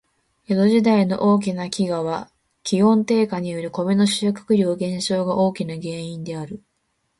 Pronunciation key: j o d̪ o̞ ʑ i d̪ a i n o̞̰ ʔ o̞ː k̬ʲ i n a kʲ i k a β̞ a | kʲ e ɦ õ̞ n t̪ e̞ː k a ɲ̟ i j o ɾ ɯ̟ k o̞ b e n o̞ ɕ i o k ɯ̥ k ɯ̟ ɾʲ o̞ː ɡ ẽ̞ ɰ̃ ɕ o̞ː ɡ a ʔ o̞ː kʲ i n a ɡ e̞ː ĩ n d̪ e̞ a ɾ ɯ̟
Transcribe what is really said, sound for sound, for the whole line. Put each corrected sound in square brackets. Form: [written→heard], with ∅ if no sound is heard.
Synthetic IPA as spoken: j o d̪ o̞ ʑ i d̪ a i n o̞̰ ʔ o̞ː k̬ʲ i n a kʲ i [k→ɡ] a β̞ a | kʲ [e→i] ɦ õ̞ n t̪ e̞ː k a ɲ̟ i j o ɾ ɯ̟ k o̞ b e n o̞ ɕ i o k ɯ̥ k ɯ̟ ɾʲ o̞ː ɡ ẽ̞ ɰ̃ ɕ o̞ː ɡ a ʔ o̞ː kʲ i n a ɡ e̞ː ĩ n d̪ e̞ a ɾ ɯ̟